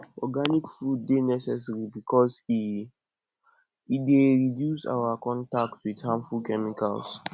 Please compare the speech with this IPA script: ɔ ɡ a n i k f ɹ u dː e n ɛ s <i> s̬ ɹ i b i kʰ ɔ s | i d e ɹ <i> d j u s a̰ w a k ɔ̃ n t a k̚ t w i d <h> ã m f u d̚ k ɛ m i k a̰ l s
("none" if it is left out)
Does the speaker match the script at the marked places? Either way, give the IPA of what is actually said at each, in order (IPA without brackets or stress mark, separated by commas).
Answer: ɛ, i, h